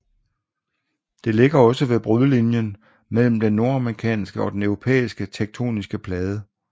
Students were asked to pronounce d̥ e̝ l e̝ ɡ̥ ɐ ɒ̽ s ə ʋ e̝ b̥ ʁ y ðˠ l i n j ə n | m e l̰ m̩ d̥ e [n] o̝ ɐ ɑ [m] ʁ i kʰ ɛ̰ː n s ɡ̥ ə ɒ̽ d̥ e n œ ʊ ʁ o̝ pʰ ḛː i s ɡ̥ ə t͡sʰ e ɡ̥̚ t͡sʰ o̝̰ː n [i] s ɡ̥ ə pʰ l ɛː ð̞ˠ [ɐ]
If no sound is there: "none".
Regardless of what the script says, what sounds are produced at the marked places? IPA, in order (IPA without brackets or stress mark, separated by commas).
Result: nː, m, i, ə